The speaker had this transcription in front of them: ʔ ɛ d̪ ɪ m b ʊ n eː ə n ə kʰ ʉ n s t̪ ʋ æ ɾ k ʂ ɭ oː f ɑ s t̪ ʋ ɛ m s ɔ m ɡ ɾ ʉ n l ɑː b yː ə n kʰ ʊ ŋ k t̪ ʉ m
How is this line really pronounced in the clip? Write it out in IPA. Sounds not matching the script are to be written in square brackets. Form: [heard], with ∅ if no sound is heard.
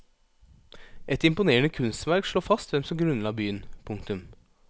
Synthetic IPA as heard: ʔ ɛ [t̪] ɪ m [p] ʊ n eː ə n ə kʰ ʉ n s t̪ ʋ æ ɾ k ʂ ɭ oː f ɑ s t̪ ʋ ɛ m s ɔ m ɡ ɾ ʉ n l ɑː b yː ə n [pʰ] ʊ ŋ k t̪ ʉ m